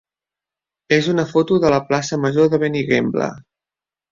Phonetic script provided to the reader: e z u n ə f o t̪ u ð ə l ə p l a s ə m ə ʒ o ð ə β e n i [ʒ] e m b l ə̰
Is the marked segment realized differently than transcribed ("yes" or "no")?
yes